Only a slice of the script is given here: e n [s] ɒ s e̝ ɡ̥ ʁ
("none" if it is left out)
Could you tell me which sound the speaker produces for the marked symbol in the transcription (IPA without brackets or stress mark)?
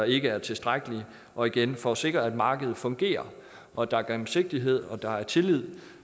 f